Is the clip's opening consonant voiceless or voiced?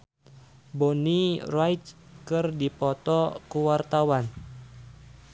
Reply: voiced